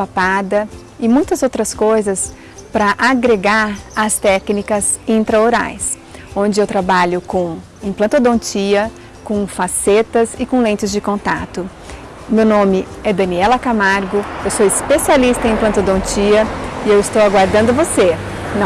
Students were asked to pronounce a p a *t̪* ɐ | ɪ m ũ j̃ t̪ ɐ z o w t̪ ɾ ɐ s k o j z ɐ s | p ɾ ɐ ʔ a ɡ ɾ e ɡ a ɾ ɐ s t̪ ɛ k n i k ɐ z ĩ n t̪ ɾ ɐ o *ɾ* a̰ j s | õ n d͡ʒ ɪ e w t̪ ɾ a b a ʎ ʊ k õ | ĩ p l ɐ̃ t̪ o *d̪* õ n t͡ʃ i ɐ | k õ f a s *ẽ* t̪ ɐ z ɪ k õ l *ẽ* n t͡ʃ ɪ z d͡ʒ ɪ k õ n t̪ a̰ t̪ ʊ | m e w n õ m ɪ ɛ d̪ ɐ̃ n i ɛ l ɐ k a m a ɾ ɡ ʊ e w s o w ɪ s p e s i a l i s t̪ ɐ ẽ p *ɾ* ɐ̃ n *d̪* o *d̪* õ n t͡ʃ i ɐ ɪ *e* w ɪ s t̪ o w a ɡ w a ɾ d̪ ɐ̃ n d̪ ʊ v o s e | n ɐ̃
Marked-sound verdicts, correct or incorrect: incorrect: d̪, correct, correct, incorrect: e, correct, incorrect: l, incorrect: t̪, correct, correct

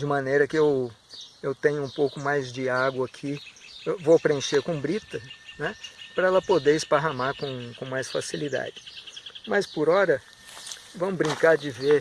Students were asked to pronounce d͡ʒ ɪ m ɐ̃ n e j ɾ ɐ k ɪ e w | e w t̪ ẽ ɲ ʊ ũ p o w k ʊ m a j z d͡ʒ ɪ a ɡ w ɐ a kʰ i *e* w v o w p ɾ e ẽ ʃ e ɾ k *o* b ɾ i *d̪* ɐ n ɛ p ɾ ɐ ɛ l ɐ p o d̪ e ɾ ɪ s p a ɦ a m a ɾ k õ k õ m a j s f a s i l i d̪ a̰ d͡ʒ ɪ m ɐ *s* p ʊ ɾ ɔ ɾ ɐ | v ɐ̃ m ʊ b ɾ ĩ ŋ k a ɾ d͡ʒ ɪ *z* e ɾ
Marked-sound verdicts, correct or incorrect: correct, incorrect: õ, incorrect: t̪, correct, incorrect: v

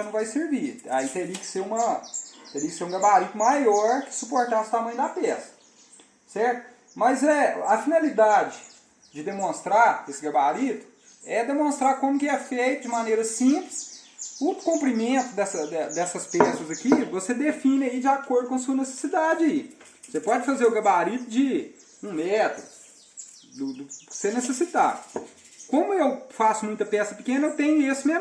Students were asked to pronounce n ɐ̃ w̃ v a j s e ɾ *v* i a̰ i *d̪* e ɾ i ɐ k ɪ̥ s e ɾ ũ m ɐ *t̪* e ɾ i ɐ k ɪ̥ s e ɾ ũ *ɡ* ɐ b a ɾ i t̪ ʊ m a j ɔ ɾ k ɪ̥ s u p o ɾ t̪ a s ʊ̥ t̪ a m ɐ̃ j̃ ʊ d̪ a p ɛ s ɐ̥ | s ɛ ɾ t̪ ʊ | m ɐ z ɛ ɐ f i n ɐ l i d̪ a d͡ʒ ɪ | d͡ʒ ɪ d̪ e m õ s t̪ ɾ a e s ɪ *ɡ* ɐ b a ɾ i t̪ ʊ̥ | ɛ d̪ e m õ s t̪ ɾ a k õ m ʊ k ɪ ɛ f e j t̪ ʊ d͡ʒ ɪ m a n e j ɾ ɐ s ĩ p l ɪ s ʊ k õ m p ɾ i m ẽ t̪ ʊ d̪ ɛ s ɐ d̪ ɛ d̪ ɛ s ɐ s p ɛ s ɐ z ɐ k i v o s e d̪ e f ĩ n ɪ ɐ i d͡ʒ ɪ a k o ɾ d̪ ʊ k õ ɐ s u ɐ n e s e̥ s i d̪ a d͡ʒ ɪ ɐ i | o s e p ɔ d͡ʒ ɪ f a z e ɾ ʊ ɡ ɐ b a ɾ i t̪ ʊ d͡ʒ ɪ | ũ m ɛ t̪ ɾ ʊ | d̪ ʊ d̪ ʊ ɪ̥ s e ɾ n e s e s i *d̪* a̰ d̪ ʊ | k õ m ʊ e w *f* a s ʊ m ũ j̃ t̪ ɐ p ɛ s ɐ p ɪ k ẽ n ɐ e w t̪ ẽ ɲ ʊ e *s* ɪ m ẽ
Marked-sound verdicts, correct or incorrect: correct, incorrect: t̪, correct, correct, correct, incorrect: t̪, correct, correct

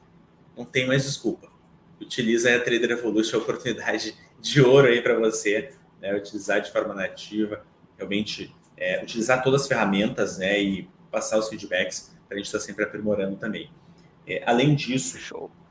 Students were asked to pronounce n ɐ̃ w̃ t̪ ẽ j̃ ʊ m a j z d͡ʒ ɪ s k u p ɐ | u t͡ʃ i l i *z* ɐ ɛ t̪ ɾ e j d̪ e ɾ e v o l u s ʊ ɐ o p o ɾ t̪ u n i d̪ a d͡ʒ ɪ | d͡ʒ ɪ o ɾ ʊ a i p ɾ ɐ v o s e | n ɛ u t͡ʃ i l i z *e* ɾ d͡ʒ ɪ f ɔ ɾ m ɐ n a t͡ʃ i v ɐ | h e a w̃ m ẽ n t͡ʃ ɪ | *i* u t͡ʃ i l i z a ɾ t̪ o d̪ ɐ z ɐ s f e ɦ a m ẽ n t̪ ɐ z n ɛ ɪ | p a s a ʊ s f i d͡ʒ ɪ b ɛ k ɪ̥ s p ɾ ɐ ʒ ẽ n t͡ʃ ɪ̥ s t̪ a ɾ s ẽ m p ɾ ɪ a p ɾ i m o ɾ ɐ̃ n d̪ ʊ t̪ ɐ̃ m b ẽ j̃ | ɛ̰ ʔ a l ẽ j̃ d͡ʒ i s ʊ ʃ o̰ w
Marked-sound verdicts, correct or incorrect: correct, incorrect: a, incorrect: ɛ

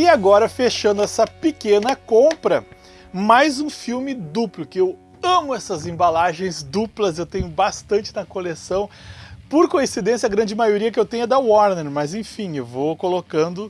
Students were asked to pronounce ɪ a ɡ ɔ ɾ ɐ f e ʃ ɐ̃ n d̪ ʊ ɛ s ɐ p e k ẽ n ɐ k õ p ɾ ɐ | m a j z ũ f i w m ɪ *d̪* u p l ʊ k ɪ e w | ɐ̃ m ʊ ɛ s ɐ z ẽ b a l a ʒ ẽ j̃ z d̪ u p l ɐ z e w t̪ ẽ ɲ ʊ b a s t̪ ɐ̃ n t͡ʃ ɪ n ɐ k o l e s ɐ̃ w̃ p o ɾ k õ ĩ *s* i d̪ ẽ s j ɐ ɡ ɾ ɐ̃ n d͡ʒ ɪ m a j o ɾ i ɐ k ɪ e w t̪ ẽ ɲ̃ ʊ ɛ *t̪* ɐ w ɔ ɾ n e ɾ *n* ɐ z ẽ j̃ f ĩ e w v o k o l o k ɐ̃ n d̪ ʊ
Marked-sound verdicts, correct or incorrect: correct, correct, incorrect: d̪, incorrect: m

